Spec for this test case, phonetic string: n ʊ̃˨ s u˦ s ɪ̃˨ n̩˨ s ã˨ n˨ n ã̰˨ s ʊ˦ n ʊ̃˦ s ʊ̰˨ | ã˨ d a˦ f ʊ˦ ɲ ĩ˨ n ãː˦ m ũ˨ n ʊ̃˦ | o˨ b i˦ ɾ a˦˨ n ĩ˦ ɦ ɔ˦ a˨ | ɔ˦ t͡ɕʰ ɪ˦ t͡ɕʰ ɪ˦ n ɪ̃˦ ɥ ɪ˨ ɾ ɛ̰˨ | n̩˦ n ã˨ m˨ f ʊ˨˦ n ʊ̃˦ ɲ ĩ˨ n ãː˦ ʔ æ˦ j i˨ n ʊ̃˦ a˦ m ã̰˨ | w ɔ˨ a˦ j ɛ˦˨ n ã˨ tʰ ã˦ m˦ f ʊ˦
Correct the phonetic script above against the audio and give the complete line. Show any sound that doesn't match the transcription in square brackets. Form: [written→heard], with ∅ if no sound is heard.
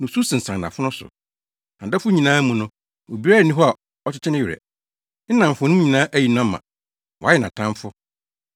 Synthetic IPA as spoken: n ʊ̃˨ s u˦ s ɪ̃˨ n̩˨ s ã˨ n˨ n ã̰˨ [s→f] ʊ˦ n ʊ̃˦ s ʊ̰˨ | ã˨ d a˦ f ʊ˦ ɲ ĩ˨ n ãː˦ m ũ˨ n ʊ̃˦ | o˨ b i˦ ɾ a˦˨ n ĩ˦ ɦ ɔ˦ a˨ | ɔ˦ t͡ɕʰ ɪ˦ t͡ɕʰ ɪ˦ n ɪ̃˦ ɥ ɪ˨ ɾ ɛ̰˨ | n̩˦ n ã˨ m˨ f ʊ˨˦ n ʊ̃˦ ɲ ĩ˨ n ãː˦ ʔ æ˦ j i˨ n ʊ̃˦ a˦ m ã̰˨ | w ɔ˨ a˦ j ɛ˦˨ n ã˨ tʰ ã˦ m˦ f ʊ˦